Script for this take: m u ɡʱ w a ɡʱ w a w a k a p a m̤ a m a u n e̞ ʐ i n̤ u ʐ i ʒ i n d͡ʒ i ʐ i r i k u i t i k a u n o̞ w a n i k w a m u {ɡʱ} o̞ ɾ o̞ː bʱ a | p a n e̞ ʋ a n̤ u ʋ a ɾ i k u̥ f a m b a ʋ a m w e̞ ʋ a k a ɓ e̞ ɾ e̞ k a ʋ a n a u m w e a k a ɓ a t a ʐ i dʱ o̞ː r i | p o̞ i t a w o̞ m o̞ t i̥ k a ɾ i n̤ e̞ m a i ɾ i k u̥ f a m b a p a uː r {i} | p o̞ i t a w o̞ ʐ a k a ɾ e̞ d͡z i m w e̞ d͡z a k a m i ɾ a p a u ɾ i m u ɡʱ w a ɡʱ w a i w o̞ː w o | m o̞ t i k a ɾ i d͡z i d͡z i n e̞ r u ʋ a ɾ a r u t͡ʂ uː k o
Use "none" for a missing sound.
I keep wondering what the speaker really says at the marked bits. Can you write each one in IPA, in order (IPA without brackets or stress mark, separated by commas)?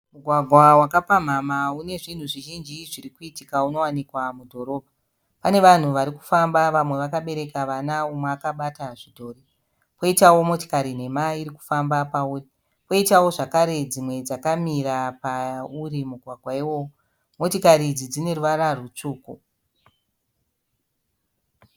dʱ, i